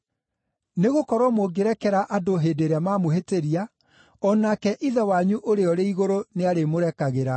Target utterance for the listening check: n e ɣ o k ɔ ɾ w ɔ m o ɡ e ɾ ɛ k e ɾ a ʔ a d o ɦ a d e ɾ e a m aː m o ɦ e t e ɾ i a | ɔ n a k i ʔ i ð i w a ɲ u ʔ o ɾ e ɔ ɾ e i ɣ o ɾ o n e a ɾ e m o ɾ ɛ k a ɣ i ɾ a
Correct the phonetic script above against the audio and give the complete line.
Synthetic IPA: n e ɣ o k ɔ ɾ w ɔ m o ɡ e ɾ ɛ k ɛ ɾ a ʔ a d o ɦ e d e ɾ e a m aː m o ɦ e t e ɾ i a | ɔ n a k ɛ ʔ i ð ɛ w a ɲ u ʔ o ɾ e ɔ ɾ e i ɣ o ɾ o n e a ɾ e m o ɾ ɛ k a ɣ e ɾ a